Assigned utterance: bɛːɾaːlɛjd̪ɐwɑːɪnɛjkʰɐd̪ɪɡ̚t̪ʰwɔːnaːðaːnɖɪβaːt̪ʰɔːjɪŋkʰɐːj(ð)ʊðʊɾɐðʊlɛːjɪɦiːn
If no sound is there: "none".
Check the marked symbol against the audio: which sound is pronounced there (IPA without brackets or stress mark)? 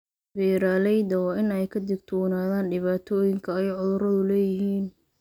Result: ʕ